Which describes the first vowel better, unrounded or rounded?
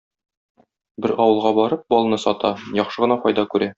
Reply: unrounded